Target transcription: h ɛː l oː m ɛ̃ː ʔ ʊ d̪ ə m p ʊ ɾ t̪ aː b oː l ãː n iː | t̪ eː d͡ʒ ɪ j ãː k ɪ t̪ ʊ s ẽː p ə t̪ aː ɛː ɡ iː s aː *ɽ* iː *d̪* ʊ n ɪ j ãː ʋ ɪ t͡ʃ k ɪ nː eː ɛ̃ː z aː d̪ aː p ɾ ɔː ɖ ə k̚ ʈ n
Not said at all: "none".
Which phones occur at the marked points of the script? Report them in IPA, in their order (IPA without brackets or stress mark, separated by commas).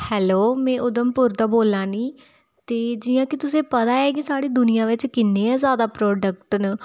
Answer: ɽ, d̪